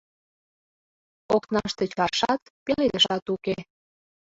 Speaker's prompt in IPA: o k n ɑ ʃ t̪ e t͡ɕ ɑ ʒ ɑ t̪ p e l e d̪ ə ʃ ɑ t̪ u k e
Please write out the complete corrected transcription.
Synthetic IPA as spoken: o k n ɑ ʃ t̪ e t͡ɕ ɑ ʃ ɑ t̪ p e l e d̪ ə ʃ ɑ t̪ u k e